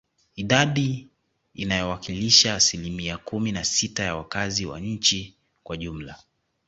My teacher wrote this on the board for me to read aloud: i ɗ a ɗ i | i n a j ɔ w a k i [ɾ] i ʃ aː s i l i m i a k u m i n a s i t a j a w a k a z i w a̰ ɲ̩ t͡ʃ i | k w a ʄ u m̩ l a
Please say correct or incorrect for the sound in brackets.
incorrect